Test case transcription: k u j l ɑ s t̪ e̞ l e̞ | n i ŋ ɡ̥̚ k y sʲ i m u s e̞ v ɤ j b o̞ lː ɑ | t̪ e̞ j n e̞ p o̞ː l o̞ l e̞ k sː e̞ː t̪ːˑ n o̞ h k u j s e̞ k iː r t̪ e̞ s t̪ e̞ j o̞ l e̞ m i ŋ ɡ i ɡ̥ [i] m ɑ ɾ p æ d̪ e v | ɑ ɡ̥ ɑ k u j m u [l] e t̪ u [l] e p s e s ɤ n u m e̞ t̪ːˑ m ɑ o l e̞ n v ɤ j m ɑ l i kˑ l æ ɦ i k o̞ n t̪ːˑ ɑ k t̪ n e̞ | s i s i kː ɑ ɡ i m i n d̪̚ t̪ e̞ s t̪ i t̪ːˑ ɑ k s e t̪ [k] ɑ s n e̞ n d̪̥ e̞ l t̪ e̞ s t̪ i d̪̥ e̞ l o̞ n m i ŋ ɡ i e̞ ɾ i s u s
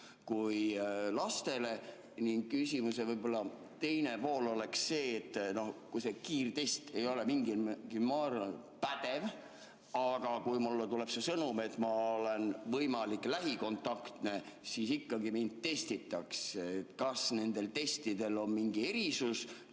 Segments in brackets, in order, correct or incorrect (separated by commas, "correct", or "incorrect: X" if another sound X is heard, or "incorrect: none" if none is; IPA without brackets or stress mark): correct, incorrect: lː, correct, correct